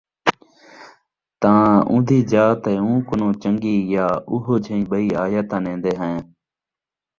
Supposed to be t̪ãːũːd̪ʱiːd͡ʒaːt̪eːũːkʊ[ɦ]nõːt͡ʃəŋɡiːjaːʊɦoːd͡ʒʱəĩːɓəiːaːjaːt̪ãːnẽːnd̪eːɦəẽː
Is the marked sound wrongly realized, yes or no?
yes